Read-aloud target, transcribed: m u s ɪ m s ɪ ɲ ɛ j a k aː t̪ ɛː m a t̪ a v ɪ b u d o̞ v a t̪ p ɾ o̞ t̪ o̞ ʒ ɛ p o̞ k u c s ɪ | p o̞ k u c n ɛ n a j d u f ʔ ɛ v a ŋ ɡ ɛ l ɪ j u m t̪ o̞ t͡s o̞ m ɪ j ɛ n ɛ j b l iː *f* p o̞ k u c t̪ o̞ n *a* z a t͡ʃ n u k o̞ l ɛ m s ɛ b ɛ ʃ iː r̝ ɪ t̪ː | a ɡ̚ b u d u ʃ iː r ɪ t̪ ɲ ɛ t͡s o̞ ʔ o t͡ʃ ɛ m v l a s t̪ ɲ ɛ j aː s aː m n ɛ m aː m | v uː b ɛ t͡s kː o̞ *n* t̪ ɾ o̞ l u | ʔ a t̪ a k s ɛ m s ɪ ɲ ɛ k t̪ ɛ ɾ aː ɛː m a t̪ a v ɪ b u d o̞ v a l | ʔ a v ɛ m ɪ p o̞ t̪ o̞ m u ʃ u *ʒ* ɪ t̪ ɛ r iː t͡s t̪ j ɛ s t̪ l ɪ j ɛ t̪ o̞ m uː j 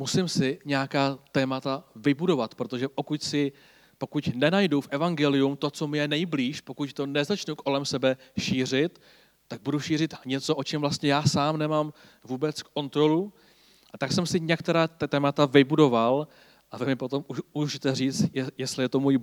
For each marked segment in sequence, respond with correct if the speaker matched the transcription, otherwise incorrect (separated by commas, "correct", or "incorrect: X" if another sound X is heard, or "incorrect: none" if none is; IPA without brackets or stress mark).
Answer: incorrect: ʃ, incorrect: ɛ, correct, correct